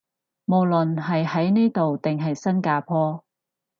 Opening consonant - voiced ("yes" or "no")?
yes